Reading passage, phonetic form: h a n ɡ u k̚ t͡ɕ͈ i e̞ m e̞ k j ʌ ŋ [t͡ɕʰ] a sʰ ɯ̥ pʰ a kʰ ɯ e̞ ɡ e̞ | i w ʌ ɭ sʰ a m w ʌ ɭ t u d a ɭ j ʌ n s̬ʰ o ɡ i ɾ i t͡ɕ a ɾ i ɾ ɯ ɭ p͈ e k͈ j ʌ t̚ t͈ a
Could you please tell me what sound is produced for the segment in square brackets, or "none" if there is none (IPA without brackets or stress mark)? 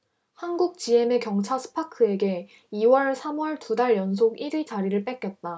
t͡ɕʰ